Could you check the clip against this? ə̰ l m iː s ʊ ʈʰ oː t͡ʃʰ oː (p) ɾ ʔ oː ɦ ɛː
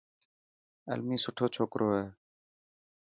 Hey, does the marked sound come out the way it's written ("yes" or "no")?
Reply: no